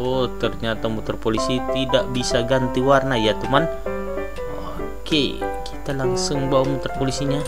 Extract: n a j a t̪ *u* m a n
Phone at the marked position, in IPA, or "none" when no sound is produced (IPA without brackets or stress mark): u